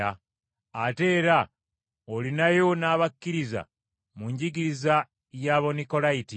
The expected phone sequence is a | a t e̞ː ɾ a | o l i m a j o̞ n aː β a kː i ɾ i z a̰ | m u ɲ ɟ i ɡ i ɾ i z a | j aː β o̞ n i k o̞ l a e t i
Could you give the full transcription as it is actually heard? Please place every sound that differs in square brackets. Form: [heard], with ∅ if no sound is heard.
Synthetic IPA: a | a t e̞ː ɾ a | o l i [n] a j o̞ n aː β a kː i ɾ i z a̰ | m u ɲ ɟ i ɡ i ɾ i z a | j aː β o̞ n i k o̞ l a [i] t i